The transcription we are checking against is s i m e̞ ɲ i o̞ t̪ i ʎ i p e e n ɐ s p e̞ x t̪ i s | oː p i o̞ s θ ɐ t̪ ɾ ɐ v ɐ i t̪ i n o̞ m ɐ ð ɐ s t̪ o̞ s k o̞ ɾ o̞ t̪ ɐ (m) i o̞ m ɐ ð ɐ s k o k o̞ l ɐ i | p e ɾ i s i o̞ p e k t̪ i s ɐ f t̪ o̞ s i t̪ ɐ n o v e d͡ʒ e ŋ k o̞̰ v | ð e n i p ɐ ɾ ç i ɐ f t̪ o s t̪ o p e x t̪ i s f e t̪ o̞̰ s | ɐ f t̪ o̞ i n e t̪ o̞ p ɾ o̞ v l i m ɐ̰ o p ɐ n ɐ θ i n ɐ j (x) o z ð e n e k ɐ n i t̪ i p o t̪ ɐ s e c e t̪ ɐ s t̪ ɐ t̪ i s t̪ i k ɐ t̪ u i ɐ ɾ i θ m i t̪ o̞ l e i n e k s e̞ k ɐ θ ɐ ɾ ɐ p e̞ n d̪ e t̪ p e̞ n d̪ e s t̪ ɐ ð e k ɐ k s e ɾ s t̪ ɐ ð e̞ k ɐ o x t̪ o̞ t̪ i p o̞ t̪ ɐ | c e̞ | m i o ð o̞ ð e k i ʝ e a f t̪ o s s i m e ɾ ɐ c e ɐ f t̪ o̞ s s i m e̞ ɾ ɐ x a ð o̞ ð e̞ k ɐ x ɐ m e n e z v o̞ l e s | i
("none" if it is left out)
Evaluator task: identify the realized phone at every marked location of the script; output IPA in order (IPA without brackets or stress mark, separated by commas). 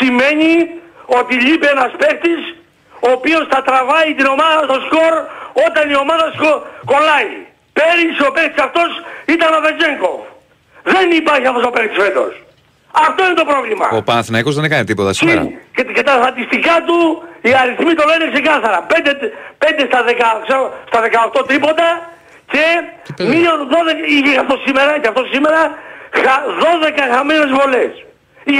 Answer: n, k